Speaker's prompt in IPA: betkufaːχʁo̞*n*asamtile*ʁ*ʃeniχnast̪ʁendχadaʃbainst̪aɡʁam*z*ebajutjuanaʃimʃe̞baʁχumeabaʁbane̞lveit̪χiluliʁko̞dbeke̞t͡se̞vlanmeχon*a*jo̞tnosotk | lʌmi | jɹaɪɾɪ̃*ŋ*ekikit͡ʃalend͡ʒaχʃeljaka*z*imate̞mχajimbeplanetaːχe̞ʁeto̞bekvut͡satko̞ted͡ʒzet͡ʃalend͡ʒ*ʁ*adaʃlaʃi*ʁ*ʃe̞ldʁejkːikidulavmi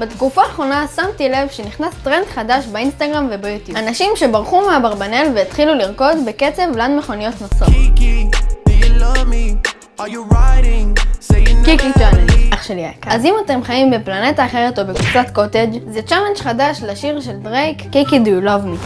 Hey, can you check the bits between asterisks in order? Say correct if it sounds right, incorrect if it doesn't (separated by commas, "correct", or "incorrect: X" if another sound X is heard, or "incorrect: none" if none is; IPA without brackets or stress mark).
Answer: correct, incorrect: v, incorrect: v, incorrect: i, correct, correct, incorrect: χ, correct